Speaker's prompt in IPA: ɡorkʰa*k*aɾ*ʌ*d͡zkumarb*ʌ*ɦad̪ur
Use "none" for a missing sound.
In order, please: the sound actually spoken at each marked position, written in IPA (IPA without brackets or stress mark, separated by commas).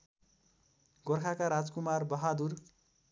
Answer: k, a, ʌ